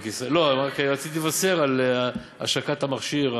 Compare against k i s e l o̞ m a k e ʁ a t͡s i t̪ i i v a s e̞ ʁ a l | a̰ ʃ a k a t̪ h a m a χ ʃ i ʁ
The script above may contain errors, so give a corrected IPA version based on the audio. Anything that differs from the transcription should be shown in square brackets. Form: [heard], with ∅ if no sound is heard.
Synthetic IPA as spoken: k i s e l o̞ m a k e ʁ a t͡s i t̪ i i v a s e̞ ʁ a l | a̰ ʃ a k a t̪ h a m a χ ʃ i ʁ